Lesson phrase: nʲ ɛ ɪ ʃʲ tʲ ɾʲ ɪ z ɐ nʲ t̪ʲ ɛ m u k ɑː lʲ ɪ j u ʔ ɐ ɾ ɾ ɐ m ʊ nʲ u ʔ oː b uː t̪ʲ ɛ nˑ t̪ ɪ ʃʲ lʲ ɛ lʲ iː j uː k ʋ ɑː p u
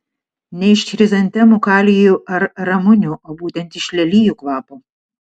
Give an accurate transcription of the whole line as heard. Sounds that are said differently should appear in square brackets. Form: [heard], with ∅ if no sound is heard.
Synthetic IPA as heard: nʲ ɛ ɪ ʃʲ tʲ ɾʲ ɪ z ɐ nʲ t̪ʲ ɛ m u k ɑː lʲ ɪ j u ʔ ɐ ɾ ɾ ɐ m ʊ nʲ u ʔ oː b uː t̪ʲ ɛ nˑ t̪ ɪ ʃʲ lʲ ɛ lʲ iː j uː k ʋ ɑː p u

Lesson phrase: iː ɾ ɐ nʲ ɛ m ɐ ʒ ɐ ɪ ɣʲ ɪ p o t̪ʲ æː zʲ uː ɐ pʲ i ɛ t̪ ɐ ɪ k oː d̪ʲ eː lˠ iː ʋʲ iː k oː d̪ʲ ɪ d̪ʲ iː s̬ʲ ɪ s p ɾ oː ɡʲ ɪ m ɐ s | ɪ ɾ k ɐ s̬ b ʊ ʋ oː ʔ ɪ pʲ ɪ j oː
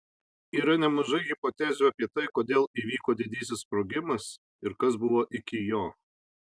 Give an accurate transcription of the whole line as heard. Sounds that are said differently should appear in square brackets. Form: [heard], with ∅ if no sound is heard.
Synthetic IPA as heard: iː ɾ ɐ nʲ ɛ m ɐ ʒ ɐ ɪ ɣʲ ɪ p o t̪ʲ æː zʲ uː ɐ pʲ i ɛ t̪ ɐ ɪ k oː d̪ʲ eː lˠ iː ʋʲ iː k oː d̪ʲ ɪ d̪ʲ iː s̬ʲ ɪ s p ɾ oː ɡʲ ɪ m ɐ s | ɪ ɾ k ɐ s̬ b ʊ ʋ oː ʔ ɪ [kʲ] ɪ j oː

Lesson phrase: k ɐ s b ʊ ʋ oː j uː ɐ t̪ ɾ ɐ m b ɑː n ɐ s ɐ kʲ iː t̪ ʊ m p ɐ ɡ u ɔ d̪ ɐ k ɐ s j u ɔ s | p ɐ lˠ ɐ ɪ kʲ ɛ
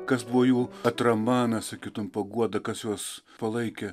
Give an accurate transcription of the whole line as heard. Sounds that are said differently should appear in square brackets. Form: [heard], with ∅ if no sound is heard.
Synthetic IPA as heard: k ɐ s b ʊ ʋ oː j uː ɐ t̪ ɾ ɐ m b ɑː n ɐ s ɐ kʲ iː t̪ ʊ m p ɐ ɡ u ɔ d̪ ɐ k ɐ s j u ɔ s | p ɐ lˠ ɐ ɪ kʲ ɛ

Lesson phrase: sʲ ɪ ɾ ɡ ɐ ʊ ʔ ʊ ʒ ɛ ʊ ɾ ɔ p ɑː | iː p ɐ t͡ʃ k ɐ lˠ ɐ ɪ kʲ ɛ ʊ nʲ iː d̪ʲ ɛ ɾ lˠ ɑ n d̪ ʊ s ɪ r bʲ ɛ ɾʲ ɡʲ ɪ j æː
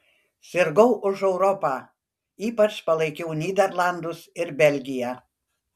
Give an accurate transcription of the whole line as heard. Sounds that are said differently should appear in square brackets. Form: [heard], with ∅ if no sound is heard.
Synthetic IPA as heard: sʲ ɪ ɾ ɡ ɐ ʊ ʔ ʊ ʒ ɛ ʊ ɾ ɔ p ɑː | iː p ɐ t͡ʃ [p] ɐ lˠ ɐ ɪ kʲ ɛ ʊ nʲ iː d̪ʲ ɛ ɾ lˠ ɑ n d̪ ʊ s ɪ [ɾ] bʲ ɛ [lʲ] ɡʲ ɪ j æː

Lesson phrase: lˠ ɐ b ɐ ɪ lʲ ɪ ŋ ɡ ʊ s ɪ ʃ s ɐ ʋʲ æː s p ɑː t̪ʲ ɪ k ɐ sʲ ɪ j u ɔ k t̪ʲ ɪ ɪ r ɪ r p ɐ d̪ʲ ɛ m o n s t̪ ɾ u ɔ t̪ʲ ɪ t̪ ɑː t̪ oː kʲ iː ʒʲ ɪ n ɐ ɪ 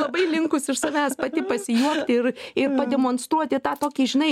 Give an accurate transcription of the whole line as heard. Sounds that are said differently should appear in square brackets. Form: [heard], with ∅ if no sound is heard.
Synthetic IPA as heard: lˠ ɐ b ɐ ɪ lʲ ɪ ŋ [k] ʊ s ɪ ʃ s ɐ ʋʲ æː s p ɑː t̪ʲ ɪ [p] ɐ sʲ ɪ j u ɔ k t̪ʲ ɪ ɪ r ɪ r p ɐ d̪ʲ ɛ m o n s t̪ ɾ u ɔ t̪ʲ ɪ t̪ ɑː t̪ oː kʲ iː ʒʲ ɪ n ɐ ɪ

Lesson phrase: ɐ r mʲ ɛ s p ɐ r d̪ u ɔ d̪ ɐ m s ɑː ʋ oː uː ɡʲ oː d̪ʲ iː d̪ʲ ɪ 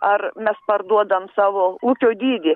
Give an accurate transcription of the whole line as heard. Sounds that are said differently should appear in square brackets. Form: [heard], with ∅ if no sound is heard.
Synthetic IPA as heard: ɐ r mʲ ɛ s p ɐ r d̪ u ɔ d̪ ɐ m s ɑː ʋ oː uː [kʲ] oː d̪ʲ iː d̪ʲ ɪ

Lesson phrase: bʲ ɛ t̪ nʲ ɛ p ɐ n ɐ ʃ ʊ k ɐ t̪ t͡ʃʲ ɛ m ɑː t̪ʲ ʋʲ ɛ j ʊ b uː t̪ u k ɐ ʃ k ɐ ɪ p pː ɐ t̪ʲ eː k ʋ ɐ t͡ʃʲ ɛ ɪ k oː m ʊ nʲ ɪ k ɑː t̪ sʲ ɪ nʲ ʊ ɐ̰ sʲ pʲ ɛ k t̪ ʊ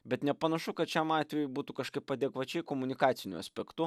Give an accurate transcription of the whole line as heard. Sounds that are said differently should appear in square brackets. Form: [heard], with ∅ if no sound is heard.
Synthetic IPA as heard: bʲ ɛ t̪ nʲ ɛ p ɐ n ɐ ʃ ʊ k ɐ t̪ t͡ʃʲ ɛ m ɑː t̪ʲ ʋʲ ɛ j ʊ b uː t̪ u k ɐ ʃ k ɐ ɪ p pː ɐ [d̪ʲ] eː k ʋ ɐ t͡ʃʲ ɛ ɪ k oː m ʊ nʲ ɪ k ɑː t̪ sʲ ɪ nʲ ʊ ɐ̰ sʲ pʲ ɛ k t̪ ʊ

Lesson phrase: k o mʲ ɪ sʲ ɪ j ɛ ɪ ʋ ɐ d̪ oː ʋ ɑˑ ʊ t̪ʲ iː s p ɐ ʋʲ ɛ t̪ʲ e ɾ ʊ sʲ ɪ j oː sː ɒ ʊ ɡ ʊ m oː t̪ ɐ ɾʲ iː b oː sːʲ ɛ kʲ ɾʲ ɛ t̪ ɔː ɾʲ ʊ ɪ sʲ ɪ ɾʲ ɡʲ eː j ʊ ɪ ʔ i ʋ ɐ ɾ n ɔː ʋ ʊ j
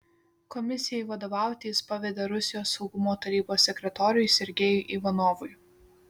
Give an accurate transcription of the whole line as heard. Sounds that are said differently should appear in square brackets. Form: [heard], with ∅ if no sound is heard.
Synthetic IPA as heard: k [ɔ] mʲ ɪ sʲ ɪ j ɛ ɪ ʋ ɐ d̪ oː ʋ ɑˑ ʊ t̪ʲ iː s p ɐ ʋʲ ɛ [d̪ʲ] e ɾ ʊ sʲ ɪ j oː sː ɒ ʊ ɡ ʊ m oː t̪ ɐ ɾʲ iː b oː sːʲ ɛ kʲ ɾʲ ɛ t̪ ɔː ɾʲ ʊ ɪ sʲ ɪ ɾʲ ɡʲ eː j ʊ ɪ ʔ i ʋ ɐ [∅] n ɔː ʋ ʊ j

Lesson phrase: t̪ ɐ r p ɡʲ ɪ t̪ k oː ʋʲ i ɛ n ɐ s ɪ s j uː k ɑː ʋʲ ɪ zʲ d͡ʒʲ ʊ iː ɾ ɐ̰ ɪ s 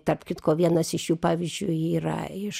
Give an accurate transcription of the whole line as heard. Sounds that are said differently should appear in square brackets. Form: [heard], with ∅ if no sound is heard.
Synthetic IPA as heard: t̪ ɐ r p [kʲ] ɪ t̪ k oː ʋʲ i ɛ n ɐ s ɪ [ʃ] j uː [p] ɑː ʋʲ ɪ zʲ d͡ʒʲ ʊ iː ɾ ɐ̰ ɪ [ʃ]

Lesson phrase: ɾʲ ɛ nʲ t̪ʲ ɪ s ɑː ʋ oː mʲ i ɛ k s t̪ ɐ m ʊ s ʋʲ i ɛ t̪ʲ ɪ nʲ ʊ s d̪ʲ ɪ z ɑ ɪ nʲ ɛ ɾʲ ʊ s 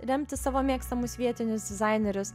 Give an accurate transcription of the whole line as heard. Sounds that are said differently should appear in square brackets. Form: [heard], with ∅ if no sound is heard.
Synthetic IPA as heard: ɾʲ ɛ [mʲ] t̪ʲ ɪ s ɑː ʋ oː mʲ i ɛ k s t̪ ɐ m ʊ s ʋʲ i ɛ t̪ʲ ɪ nʲ ʊ s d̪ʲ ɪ z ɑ ɪ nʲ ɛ ɾʲ ʊ s

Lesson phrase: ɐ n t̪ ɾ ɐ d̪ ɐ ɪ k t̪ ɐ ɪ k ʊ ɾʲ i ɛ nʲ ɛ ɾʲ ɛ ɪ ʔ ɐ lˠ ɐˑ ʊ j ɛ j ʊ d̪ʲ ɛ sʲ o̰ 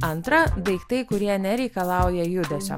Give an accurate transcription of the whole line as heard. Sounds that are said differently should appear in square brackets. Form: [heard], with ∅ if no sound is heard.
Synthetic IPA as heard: ɐ n t̪ ɾ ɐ d̪ ɐ ɪ k t̪ ɐ ɪ k ʊ ɾʲ i ɛ nʲ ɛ ɾʲ ɛ ɪ [k] ɐ lˠ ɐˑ ʊ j ɛ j ʊ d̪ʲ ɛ sʲ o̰

